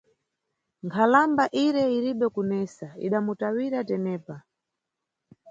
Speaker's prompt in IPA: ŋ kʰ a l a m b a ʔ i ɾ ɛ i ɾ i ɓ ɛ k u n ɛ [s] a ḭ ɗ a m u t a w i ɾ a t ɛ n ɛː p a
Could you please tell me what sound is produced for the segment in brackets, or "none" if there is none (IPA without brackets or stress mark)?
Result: s